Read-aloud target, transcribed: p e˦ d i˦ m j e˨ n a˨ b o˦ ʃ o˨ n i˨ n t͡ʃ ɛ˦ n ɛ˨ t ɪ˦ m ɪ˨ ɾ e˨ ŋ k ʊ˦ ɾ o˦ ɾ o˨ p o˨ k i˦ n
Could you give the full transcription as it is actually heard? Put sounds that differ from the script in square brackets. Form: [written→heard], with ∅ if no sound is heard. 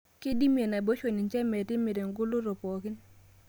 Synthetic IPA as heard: [p→k] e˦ d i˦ m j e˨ n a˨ b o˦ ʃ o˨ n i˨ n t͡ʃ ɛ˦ [n→m] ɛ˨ t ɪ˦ m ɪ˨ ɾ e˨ ŋ [k→ɡ] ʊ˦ [ɾ→l] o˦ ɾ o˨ p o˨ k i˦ n

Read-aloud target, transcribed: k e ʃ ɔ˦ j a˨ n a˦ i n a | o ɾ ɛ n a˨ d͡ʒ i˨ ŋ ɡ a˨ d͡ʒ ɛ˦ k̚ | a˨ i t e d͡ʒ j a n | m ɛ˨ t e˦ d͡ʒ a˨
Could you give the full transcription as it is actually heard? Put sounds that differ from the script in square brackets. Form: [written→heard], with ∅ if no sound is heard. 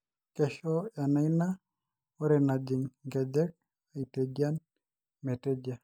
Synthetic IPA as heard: k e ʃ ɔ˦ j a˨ n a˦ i n a | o ɾ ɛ n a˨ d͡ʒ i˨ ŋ ɡ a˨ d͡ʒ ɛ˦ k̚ | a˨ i t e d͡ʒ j a n | m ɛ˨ t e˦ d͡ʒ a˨

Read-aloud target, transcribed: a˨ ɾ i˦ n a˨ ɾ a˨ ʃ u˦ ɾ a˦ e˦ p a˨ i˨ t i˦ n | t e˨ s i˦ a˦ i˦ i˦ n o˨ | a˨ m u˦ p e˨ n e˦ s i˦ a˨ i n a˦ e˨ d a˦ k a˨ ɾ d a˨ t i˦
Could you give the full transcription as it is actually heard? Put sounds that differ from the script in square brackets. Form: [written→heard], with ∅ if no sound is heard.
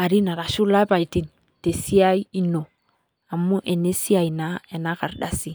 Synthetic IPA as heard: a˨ ɾ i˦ n a˨ ɾ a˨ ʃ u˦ [ɾ→l] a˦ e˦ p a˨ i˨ t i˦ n | t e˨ s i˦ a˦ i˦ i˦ n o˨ | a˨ m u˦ [p→ʔ] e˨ n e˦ s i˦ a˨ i n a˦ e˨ [d→n] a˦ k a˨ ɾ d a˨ [t→s] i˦

